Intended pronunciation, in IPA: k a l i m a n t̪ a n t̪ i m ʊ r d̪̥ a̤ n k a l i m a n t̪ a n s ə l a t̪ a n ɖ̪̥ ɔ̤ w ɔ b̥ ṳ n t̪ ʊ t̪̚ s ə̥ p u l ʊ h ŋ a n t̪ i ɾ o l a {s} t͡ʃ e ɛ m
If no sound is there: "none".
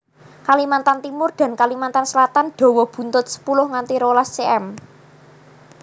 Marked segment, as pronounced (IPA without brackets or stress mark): s